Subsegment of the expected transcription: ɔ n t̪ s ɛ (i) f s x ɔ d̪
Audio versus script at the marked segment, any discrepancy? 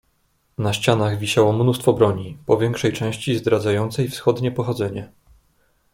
yes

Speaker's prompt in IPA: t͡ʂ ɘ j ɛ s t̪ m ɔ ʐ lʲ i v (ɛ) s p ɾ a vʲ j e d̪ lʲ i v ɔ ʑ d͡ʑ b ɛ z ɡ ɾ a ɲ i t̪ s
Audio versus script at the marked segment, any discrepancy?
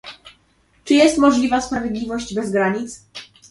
yes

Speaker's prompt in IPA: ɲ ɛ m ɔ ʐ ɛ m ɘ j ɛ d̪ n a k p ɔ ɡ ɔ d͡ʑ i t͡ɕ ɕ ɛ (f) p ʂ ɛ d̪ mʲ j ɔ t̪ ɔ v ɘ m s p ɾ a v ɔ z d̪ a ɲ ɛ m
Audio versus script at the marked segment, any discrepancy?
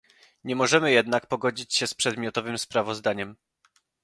yes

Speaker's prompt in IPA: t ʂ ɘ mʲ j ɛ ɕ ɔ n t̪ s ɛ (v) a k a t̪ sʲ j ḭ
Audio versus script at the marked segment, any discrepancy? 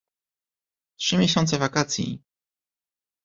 no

